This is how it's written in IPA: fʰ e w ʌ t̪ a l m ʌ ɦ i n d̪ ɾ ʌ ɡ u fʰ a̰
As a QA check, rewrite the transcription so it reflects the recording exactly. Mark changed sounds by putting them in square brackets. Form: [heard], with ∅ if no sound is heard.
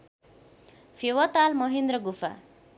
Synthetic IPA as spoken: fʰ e w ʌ t̪ a l m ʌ ɦ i n d̪ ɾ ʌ ɡ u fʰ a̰